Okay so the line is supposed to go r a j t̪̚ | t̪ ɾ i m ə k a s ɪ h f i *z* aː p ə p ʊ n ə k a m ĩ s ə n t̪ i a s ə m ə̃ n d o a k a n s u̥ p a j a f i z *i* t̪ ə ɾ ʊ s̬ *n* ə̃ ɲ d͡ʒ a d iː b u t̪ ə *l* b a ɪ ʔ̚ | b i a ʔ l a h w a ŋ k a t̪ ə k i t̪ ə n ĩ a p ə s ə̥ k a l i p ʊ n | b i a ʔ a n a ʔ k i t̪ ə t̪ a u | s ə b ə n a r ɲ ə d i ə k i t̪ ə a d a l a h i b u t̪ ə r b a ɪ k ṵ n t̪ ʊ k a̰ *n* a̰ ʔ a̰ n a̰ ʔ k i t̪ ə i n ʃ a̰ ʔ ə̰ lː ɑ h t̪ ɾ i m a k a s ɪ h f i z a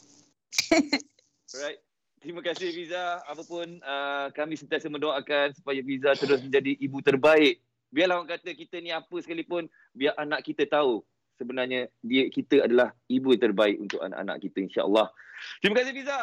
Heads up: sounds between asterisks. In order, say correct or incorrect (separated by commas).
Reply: correct, incorrect, incorrect, incorrect, correct